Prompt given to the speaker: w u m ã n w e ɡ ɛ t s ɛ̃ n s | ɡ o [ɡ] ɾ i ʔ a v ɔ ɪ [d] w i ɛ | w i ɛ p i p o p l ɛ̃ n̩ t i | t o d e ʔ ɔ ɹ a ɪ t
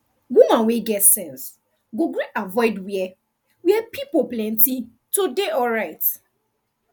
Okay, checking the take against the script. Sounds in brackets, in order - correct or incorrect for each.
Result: correct, correct

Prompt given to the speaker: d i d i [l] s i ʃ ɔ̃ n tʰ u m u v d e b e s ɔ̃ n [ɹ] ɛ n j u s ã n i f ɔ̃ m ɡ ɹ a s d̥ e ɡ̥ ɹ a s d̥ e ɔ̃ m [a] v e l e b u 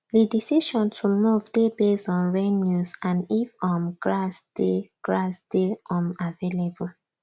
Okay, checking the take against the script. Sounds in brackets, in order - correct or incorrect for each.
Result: incorrect, correct, correct

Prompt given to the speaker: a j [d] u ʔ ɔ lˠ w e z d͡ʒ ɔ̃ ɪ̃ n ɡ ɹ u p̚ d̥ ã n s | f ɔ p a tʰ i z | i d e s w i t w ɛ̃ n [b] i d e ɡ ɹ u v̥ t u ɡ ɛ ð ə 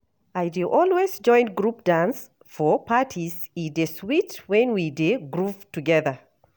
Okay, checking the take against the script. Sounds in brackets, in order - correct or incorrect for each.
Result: correct, incorrect

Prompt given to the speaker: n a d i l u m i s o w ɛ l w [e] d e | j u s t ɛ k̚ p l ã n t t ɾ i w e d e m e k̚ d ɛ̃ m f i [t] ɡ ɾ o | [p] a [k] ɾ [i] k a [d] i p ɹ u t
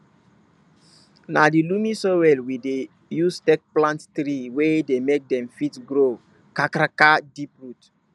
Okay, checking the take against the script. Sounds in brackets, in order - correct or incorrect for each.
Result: incorrect, correct, incorrect, correct, incorrect, correct

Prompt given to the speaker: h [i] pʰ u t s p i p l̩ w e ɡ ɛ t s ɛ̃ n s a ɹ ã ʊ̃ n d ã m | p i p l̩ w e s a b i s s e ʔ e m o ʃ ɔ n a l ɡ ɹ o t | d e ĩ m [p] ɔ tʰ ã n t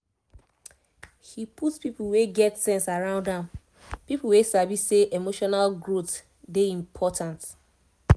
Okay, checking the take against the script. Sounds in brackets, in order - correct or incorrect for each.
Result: correct, incorrect

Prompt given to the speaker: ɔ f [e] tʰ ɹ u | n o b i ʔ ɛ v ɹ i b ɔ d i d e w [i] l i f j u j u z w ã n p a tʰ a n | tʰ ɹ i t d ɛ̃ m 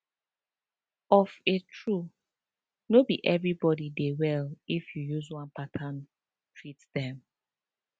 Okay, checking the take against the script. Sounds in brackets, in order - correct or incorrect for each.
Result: correct, incorrect

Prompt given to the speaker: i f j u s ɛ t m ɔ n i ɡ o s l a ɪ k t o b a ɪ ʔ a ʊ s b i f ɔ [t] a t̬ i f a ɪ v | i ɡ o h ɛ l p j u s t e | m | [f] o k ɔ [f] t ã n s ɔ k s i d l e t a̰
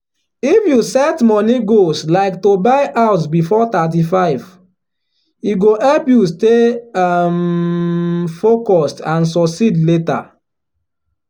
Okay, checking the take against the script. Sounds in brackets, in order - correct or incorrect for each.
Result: correct, correct, incorrect

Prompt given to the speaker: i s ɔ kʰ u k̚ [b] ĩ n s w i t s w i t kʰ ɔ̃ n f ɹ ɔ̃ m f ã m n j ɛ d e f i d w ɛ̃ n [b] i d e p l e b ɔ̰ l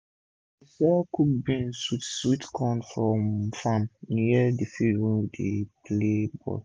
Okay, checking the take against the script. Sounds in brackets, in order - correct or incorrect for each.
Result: correct, incorrect

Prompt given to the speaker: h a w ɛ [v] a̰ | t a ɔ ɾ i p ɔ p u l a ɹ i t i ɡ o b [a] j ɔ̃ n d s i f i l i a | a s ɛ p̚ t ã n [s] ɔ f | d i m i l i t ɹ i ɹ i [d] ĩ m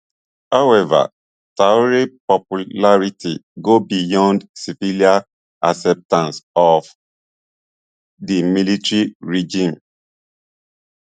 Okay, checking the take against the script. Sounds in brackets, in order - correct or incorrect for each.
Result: correct, incorrect, correct, incorrect

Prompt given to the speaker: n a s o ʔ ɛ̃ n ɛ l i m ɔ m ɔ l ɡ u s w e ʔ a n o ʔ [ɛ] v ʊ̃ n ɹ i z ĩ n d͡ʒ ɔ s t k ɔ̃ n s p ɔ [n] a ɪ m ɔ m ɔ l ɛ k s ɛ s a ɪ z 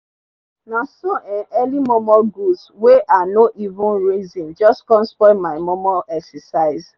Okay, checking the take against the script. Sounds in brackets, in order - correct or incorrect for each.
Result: incorrect, incorrect

